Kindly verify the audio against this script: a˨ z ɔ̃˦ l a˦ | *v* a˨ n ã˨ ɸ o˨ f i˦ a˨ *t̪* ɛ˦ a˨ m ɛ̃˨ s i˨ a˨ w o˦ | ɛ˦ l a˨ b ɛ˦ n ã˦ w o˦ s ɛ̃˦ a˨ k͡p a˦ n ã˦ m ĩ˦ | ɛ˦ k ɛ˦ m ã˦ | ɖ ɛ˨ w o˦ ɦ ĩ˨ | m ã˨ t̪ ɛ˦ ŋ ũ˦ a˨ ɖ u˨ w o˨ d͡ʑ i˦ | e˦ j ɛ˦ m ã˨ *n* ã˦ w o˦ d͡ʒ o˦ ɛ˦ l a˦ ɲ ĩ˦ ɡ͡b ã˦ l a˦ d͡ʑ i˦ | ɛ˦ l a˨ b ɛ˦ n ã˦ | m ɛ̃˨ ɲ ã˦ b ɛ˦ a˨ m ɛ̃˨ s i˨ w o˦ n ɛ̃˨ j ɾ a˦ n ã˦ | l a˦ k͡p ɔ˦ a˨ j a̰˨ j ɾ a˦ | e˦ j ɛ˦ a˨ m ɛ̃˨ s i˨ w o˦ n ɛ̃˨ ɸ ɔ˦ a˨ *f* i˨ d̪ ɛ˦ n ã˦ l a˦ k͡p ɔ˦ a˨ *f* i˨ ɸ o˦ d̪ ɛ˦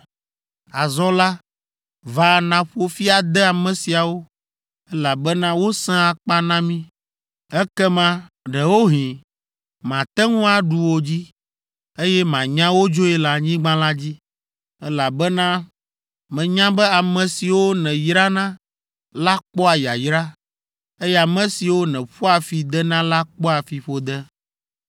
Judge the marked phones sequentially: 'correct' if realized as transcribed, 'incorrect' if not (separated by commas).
correct, incorrect, incorrect, correct, correct